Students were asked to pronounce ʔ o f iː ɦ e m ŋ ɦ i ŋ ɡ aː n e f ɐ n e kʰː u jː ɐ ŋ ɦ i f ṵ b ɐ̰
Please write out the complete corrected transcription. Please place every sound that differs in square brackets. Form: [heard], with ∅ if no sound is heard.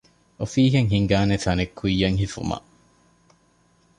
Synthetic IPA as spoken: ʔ o f iː ɦ e [∅] ŋ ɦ i ŋ ɡ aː n e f ɐ n e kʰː u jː ɐ ŋ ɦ i f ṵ [m] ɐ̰